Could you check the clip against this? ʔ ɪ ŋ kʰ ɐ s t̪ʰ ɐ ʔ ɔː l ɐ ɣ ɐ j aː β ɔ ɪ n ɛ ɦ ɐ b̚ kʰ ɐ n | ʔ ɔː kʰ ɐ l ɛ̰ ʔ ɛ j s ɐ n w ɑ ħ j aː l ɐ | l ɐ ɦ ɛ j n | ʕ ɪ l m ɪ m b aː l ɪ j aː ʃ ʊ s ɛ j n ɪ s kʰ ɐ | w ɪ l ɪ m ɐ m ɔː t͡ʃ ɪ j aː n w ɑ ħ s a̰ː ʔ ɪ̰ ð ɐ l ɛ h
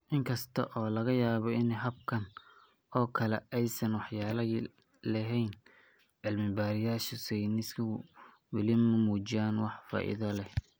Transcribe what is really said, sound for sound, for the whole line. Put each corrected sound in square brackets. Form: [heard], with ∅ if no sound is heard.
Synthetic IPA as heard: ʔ ɪ ŋ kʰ ɐ s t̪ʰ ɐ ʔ ɔː l ɐ ɣ ɐ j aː β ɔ ɪ n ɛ ɦ ɐ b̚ kʰ ɐ n | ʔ ɔː kʰ ɐ l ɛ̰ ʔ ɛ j s ɐ n w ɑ ħ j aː l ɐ | l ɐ ɦ ɛ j n | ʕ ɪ l m ɪ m b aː [ɾ] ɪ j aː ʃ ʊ s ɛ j n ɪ s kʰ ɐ | w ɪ l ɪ m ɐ m [uː] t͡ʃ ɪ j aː n w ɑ ħ [f] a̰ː ʔ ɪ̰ ð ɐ l ɛ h